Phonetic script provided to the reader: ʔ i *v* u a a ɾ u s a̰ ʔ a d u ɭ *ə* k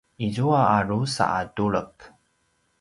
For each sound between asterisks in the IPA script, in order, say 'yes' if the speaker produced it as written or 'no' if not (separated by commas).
no, yes